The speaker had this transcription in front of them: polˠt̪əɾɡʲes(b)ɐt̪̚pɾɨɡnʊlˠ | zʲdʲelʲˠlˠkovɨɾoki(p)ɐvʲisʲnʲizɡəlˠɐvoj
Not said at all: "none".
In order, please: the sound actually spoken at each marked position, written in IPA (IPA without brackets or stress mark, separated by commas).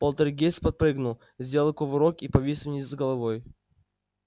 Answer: p, p